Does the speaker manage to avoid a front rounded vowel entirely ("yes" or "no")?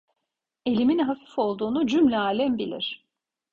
no